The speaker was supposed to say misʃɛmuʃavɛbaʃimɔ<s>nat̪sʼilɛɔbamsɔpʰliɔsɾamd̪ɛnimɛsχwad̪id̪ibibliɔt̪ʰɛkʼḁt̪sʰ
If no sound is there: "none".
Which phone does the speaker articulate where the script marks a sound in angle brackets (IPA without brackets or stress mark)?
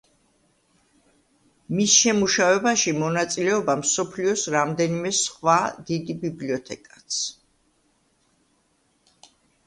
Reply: none